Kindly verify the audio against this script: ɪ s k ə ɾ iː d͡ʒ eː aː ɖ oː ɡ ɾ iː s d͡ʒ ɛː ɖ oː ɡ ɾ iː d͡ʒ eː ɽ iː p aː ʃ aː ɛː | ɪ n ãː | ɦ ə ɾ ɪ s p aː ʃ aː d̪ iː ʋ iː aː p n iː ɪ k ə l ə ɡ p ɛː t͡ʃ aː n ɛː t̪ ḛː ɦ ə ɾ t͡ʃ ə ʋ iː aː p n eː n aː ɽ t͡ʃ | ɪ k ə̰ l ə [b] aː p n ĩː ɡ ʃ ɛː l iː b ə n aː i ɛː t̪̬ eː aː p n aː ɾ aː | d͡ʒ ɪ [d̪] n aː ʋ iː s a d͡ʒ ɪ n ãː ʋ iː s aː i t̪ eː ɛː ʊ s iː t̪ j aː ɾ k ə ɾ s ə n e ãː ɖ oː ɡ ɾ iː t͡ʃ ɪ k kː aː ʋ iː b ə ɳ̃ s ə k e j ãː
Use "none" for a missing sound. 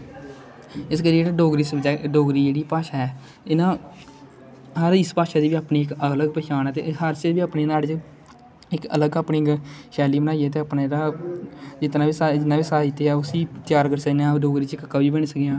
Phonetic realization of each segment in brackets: ɡ, t̪

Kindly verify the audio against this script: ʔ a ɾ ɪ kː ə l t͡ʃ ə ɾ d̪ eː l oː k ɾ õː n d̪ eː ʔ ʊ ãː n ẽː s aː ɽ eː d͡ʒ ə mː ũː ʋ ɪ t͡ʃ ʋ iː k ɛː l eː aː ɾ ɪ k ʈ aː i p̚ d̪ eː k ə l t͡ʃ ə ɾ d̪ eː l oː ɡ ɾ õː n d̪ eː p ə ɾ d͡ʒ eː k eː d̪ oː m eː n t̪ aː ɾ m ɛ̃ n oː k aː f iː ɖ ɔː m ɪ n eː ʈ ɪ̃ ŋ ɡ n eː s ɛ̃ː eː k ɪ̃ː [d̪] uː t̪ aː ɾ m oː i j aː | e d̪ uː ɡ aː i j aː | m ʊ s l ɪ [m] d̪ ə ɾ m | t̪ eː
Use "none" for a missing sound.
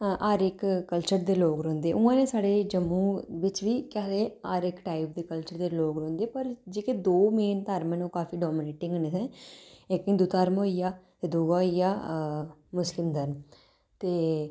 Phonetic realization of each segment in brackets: d̪, m

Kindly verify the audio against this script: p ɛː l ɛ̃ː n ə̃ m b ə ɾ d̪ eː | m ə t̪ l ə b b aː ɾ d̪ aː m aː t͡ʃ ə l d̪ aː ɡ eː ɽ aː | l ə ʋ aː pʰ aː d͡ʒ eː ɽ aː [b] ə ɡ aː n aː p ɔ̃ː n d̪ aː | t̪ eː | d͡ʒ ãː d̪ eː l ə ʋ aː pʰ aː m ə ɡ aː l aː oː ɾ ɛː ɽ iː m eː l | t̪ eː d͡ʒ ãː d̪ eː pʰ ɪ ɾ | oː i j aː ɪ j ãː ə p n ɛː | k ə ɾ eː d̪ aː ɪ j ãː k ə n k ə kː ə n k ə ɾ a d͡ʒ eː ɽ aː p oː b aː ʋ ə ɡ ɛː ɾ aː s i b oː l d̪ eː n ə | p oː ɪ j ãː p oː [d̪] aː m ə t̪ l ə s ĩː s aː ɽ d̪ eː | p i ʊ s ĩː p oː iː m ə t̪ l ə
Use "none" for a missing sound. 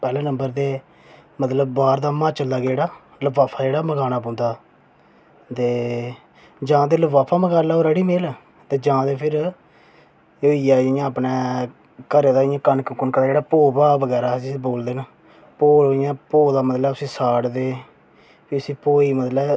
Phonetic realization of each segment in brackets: m, d̪

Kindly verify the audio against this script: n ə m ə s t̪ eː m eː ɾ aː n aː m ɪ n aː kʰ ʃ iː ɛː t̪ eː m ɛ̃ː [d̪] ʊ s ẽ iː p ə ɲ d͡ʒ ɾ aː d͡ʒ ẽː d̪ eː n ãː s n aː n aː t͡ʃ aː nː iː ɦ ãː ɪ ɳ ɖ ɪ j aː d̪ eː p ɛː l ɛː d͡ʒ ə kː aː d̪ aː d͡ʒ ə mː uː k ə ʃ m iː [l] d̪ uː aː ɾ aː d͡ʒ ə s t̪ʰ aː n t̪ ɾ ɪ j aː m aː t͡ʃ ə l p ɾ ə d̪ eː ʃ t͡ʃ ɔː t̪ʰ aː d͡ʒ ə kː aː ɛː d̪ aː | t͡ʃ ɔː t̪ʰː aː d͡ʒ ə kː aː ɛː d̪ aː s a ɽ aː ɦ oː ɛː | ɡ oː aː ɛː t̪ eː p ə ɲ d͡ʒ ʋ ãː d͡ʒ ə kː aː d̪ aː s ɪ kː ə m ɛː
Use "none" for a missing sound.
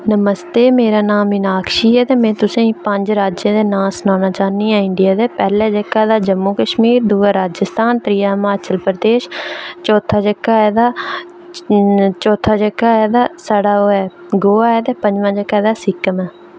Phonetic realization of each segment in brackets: t̪, ɾ

